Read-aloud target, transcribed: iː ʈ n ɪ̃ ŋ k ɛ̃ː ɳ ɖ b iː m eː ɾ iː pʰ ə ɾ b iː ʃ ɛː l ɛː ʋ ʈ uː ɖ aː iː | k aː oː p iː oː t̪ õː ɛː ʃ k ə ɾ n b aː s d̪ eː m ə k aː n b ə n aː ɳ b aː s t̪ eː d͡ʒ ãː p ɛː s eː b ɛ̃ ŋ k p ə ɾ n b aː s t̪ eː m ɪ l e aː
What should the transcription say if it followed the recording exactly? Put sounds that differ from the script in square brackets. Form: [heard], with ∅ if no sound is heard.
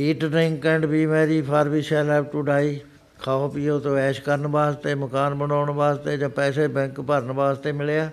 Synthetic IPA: iː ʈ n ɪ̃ ŋ k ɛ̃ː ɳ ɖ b iː m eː ɾ iː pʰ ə ɾ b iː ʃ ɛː l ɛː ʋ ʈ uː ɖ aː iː | [kʰ] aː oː p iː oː t̪ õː ɛː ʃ k ə ɾ n b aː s [t̪] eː m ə k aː n b ə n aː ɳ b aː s t̪ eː d͡ʒ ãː p ɛː s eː b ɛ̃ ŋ k p ə ɾ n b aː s t̪ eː m ɪ l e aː